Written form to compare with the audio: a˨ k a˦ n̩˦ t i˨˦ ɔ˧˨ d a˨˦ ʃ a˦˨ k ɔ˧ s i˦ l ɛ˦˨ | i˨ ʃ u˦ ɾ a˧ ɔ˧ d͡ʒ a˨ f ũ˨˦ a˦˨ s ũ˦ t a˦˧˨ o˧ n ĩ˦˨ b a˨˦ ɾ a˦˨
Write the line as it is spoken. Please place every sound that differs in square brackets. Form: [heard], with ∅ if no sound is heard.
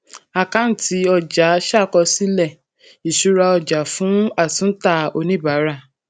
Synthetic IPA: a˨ k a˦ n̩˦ t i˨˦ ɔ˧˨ [d͡ʒ] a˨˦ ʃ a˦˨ k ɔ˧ s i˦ l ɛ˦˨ | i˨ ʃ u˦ ɾ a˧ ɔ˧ d͡ʒ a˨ f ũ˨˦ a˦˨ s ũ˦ t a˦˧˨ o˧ n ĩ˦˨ b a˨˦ ɾ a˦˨